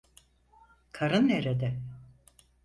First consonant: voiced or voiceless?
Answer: voiceless